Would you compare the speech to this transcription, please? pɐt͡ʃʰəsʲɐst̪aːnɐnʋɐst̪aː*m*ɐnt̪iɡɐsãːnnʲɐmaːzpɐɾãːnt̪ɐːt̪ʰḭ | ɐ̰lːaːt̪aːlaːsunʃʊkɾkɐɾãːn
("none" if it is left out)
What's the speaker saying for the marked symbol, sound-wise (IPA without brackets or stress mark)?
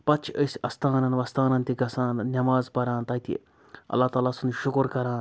n